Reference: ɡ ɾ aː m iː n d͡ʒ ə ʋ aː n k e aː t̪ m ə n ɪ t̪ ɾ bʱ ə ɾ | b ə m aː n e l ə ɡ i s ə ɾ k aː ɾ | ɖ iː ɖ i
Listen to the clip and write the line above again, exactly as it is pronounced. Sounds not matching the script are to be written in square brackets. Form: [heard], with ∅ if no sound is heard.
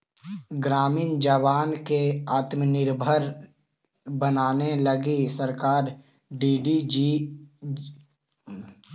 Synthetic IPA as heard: ɡ ɾ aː m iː n d͡ʒ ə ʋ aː n k e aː t̪ m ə n ɪ [∅] ɾ bʱ ə ɾ | b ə [n] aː n e l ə ɡ i s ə ɾ k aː ɾ | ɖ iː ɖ i